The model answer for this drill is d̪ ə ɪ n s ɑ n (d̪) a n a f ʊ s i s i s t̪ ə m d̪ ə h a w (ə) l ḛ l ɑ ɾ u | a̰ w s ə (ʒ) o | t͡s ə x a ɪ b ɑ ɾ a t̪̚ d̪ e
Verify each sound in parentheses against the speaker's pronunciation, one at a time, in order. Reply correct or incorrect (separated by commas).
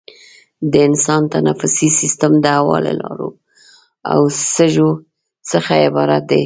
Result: incorrect, incorrect, correct